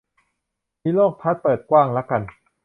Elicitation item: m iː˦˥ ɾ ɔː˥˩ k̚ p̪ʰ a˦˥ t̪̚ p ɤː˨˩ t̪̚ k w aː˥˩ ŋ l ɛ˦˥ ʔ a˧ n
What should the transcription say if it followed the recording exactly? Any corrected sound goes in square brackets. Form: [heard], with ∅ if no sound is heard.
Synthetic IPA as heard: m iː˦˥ [l] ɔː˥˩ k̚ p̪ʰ a˦˥ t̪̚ p ɤː˨˩ t̪̚ k w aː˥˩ ŋ l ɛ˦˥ [k] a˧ n